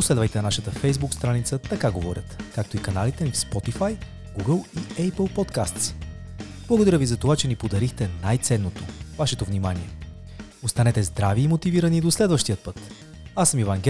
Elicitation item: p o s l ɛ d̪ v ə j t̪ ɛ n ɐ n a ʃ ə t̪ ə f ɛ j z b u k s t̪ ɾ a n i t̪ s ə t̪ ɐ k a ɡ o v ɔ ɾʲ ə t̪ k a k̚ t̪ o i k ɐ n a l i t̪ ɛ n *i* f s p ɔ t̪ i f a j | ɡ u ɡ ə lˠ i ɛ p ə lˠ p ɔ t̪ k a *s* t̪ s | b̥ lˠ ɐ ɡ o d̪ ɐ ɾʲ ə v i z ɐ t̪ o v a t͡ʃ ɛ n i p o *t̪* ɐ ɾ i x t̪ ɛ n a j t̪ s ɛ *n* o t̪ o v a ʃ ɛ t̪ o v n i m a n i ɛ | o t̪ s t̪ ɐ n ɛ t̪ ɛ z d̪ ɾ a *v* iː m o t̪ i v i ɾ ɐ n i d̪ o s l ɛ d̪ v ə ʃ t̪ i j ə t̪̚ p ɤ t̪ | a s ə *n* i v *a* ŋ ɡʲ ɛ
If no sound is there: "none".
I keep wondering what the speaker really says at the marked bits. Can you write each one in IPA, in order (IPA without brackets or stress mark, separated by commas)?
i, s, d̪, nː, v, m, a